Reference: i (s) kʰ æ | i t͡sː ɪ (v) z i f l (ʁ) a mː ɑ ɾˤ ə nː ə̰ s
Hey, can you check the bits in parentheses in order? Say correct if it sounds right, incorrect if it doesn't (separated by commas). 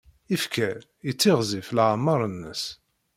incorrect, incorrect, incorrect